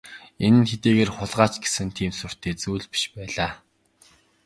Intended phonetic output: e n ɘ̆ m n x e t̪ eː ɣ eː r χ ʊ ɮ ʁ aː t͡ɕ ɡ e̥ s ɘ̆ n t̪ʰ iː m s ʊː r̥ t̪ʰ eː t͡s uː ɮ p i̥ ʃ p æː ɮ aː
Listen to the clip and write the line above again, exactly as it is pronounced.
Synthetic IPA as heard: e n ɘ̆ n x e t̪ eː ɣ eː r χ ʊ ɮ ʁ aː t͡ɕ ɡ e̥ s ɘ̆ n t̪ʰ iː m s ʊ r̥ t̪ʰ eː t͡s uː ɮ p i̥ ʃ p æː ɮ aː